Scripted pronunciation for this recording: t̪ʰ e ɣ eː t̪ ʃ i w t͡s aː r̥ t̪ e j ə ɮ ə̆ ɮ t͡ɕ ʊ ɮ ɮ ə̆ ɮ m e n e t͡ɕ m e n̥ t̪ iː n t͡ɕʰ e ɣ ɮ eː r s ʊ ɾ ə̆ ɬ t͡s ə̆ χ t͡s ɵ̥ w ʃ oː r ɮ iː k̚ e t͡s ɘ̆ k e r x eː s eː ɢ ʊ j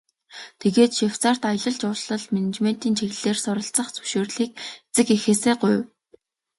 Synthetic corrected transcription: t̪ʰ e ɣ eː t̪ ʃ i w t͡s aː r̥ t̪ a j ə ɮ ə̆ ɮ t͡ɕ ʊ ɮ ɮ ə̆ ɮ m e n e t͡ɕ m e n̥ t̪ iː n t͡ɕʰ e ɣ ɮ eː r s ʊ ɾ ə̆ ɬ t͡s ə̆ χ t͡s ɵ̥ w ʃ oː r ɮ iː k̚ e t͡s ɘ̆ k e x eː s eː ɢ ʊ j